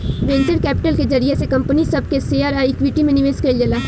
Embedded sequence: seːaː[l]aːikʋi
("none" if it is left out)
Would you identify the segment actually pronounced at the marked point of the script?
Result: ɾ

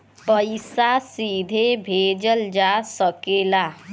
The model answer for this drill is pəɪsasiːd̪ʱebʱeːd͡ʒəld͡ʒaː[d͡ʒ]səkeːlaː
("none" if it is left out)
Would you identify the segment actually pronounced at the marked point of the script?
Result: none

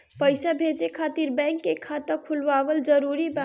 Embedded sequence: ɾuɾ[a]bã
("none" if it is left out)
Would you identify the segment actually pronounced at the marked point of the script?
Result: i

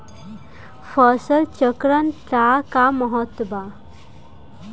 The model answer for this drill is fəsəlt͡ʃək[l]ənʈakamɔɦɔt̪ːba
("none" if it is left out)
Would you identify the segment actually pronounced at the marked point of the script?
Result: ɾ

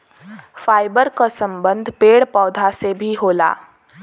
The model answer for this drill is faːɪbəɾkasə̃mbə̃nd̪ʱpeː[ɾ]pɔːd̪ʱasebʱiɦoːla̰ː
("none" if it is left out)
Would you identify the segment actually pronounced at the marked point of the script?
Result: ɽ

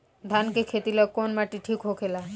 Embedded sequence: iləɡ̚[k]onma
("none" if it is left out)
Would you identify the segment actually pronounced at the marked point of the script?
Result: k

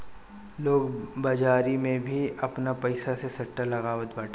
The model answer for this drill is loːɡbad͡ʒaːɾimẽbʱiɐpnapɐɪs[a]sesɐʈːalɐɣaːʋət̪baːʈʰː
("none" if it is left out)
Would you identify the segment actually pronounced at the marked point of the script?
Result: a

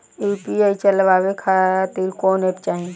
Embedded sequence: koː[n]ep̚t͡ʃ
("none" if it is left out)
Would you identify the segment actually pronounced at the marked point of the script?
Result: n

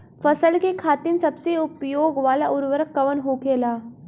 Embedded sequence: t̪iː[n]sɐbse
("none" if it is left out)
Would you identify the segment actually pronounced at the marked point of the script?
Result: n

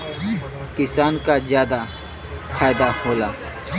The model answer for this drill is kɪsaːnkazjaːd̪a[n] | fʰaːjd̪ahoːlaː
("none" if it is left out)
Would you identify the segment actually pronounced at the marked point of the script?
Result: none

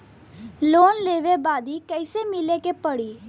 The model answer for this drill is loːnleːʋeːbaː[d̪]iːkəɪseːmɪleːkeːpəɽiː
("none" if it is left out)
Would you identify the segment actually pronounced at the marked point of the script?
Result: d̪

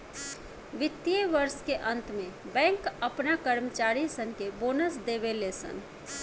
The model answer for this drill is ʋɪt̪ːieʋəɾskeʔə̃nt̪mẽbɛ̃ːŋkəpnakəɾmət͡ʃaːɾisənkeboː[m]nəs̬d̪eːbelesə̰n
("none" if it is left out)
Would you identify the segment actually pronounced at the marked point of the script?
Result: none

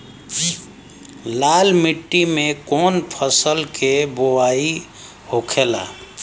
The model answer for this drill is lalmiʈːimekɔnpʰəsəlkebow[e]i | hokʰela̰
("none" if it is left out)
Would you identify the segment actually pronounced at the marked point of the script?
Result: a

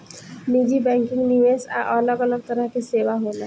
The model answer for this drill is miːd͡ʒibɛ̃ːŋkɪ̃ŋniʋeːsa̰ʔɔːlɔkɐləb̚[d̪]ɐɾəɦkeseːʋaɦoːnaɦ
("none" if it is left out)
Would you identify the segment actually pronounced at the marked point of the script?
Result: t̪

